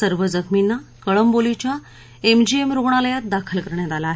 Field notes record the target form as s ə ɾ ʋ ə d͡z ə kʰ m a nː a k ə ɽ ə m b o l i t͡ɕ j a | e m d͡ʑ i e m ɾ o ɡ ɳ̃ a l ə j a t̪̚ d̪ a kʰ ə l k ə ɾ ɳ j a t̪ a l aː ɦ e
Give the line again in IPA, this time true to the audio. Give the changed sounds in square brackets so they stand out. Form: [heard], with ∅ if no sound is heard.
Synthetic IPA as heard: s ə ɾ ʋ ə d͡z ə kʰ m [i] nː a k ə [ɭ] ə m b o l i t͡ɕ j a | e m d͡ʑ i e m ɾ o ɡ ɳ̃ a l ə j a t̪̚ d̪ a kʰ ə l k ə ɾ ɳ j a t̪ a l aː ɦ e